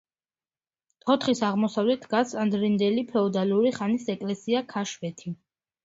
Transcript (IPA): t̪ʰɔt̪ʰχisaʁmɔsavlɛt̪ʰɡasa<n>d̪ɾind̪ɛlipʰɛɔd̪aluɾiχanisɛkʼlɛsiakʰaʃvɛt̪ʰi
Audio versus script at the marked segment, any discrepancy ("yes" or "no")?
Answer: no